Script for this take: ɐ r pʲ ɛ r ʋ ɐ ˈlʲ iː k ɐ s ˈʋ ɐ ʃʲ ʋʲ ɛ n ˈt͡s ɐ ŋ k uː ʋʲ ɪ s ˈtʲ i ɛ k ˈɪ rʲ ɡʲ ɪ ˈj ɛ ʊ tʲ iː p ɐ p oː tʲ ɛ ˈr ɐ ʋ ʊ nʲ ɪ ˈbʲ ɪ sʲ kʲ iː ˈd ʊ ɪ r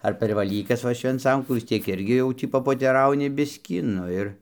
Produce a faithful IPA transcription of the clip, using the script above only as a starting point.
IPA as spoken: ɐ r pʲ ɛ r ʋ ɐ ˈlʲ iː k ɐ s ˈʋ ɐ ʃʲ ʋʲ ɛ n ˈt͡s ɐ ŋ k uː ʋʲ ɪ s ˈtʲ i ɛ k ˈɪ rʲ ɡʲ ɪ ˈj ɛ ʊ tʲ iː p ɐ p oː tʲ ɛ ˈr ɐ ʊ nʲ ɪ ˈbʲ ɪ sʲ kʲ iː ˈn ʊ ɪ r